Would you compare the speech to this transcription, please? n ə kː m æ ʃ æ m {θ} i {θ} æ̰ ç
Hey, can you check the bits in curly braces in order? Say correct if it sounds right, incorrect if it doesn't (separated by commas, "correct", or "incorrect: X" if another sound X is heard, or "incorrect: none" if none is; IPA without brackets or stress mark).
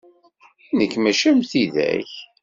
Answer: correct, incorrect: ð